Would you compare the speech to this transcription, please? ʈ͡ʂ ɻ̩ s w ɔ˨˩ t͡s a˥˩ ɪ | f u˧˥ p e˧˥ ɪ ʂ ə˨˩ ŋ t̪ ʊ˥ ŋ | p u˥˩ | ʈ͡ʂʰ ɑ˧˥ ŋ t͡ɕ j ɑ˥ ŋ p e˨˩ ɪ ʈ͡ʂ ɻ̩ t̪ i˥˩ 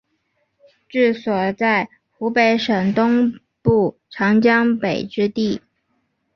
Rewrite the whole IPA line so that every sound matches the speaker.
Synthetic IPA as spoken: ʈ͡ʂ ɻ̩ s w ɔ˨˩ t͡s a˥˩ ɪ | x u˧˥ p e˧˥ ɪ ʂ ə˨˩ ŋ t̪ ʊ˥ ŋ | p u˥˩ | ʈ͡ʂʰ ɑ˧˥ ŋ t͡ɕ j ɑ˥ ŋ p e˨˩ ɪ ʈ͡ʂ ɻ̩ t̪ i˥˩